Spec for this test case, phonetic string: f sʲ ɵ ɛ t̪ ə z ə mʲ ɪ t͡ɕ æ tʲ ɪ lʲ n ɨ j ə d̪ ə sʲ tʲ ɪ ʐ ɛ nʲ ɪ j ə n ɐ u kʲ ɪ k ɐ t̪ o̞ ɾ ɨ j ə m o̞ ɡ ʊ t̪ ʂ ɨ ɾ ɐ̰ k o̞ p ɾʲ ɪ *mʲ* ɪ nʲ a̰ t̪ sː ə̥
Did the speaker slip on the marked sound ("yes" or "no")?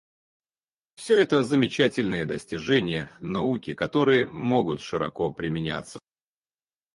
no